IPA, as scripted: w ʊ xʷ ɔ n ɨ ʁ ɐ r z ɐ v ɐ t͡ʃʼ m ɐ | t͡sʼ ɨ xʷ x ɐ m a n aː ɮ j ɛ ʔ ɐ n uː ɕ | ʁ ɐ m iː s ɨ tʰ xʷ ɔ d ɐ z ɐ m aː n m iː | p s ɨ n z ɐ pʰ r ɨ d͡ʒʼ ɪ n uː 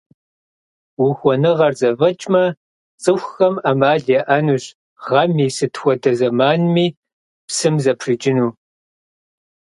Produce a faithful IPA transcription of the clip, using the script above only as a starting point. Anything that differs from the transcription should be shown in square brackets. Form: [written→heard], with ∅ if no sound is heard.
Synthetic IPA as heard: w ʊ xʷ ɔ n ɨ ʁ ɐ r z ɐ v ɐ t͡ʃʼ m ɐ | t͡sʼ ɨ xʷ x ɐ m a [n→m] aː ɮ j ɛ ʔ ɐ n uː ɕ | ʁ ɐ m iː s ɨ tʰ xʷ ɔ d ɐ z ɐ m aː n m iː | p s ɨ [n→m] z ɐ pʰ r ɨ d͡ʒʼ ɪ n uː